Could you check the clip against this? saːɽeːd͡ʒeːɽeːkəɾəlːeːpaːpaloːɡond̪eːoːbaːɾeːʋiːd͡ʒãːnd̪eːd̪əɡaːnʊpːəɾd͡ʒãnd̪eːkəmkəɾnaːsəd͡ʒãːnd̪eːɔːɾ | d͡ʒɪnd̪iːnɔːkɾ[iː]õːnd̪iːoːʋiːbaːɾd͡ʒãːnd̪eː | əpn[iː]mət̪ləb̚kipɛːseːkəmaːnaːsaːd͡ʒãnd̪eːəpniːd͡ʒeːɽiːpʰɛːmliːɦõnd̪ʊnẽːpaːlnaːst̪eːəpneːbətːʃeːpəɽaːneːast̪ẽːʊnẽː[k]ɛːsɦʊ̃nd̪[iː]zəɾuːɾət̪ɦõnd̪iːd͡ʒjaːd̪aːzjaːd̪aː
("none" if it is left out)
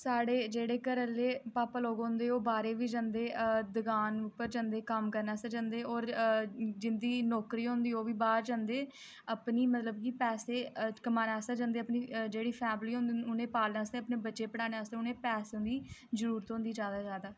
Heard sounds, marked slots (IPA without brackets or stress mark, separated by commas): iː, iː, p, iː